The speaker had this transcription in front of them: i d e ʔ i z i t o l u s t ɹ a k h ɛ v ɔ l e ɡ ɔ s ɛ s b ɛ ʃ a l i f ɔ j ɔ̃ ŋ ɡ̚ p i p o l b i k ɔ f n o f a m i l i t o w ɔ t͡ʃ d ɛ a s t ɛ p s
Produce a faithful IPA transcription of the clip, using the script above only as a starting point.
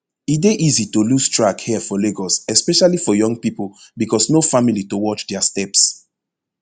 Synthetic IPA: i d e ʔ i z i t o l u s t ɹ a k h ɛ f ɔ l e ɡ ɔ s ɛ s p ɛ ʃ a l i f ɔ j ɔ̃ ŋ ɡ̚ p i p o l b i k ɔ s n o f a m i l i t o w ɔ t͡ʃ d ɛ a s t ɛ p s